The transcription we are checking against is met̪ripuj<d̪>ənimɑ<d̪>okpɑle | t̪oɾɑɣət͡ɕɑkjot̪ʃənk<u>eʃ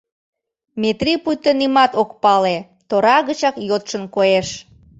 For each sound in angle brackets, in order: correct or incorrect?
incorrect: t̪, incorrect: t̪, incorrect: o

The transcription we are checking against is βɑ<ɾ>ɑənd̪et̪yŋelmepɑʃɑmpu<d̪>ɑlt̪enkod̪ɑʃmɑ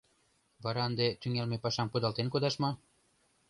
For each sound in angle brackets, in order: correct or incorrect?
correct, correct

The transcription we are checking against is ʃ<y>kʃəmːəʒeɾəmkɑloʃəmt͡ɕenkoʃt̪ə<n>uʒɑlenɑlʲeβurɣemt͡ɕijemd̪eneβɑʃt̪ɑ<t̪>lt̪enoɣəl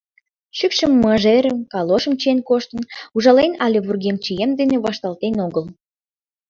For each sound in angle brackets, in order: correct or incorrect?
correct, correct, incorrect: none

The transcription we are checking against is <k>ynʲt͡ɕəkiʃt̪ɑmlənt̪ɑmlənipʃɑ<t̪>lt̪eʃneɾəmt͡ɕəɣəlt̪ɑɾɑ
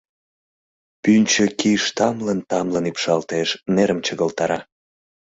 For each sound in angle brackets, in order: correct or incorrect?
incorrect: p, incorrect: none

